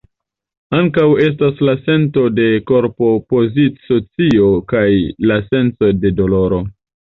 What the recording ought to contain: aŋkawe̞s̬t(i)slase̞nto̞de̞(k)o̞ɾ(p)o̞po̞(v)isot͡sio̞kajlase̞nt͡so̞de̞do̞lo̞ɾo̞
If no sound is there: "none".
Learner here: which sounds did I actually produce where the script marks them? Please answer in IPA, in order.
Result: a, k, p, z

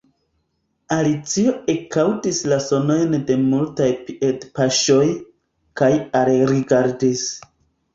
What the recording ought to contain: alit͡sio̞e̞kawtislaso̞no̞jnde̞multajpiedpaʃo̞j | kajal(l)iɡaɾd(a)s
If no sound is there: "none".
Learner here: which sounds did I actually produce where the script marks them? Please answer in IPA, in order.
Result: ɾ, i

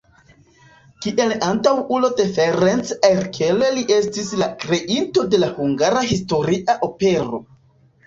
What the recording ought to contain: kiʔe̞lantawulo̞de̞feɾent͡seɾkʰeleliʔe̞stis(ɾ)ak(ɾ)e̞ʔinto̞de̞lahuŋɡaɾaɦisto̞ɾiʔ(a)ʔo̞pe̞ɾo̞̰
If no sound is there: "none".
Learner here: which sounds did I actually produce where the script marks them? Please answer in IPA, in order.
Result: l, ɾ, a

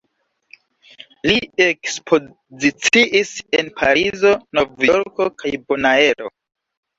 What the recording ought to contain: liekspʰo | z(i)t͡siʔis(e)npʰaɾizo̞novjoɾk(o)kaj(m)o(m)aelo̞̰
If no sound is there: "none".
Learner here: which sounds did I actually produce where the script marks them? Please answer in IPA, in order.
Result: i, e, o, b, n

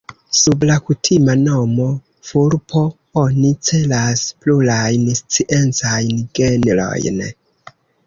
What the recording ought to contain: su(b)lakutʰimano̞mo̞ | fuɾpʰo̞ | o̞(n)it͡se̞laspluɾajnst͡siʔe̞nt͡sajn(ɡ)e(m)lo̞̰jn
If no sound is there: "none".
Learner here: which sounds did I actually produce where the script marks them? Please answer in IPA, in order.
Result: b, n, ɡ, n

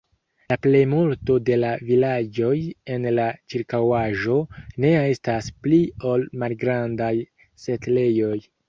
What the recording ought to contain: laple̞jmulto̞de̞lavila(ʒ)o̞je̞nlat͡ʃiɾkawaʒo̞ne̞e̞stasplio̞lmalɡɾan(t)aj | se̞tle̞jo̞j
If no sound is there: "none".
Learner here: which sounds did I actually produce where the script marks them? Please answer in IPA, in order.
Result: d͡ʒ, d

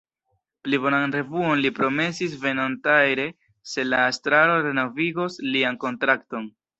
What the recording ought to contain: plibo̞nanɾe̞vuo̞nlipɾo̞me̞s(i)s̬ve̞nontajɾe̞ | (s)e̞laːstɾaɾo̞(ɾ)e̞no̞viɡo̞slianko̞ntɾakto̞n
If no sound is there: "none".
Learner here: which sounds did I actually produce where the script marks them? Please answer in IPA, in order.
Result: i, s, ɾ

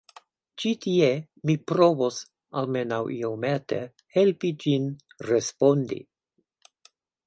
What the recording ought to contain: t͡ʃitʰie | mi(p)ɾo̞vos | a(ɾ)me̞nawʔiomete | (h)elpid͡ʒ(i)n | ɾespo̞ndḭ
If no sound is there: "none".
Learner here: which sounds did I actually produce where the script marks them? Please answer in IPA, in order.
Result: p, l, h, i

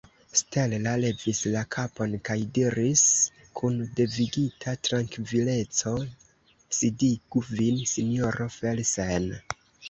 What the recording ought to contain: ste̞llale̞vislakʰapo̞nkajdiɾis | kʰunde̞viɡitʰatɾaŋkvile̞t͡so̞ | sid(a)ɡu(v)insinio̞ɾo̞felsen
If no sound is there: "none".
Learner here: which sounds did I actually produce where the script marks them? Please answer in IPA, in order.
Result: i, v

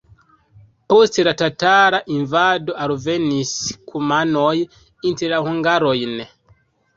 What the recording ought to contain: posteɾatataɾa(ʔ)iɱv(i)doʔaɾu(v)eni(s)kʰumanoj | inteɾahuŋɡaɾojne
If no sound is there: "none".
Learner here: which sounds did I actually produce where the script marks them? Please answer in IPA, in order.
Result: ʔ, a, v, s

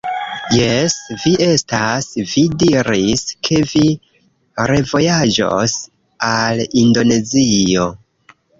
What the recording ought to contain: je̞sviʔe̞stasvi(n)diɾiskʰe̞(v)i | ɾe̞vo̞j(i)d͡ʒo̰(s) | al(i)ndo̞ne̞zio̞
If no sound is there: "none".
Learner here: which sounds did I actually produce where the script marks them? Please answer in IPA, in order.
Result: none, v, a, s, i

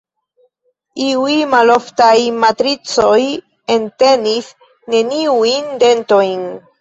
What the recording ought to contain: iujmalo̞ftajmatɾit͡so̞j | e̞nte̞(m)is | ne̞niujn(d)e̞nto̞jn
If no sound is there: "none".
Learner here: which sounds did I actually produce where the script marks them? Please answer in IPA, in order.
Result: n, d

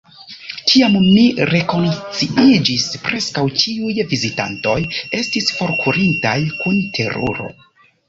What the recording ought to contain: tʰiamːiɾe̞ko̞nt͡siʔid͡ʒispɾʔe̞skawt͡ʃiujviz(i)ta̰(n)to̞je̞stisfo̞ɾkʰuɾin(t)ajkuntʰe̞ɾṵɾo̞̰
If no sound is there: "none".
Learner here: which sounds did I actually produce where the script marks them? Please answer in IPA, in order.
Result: i, n, t

